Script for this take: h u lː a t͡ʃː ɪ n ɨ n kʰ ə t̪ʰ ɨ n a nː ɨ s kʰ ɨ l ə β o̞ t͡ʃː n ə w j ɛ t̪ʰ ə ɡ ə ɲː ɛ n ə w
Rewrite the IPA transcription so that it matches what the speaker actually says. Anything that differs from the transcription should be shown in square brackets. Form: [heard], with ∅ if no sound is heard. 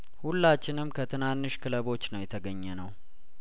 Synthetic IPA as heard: h u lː a t͡ʃː ɪ n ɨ [m] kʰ ə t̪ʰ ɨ n a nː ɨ [ʃ] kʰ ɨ l ə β o̞ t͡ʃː n ə w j ɛ t̪ʰ ə ɡ ə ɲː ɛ n ə w